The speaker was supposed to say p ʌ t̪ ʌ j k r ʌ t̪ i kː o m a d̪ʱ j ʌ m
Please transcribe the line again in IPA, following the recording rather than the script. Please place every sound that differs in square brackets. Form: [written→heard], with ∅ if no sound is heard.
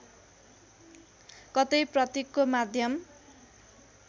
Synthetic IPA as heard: [p→k] ʌ t̪ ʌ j [k→p] r ʌ t̪ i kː o m a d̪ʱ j ʌ m

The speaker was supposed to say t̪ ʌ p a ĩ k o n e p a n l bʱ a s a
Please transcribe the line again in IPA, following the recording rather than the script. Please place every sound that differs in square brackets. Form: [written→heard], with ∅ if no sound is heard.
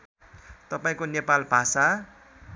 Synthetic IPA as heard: t̪ ʌ p a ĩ k o n e p a [n→∅] l bʱ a s a

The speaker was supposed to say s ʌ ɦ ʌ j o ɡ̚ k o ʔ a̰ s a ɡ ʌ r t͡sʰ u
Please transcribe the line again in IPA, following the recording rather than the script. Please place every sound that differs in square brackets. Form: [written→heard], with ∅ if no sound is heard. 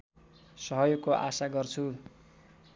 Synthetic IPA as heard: s ʌ ɦ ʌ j o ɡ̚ k o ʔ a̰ s a ɡ ʌ r t͡sʰ u

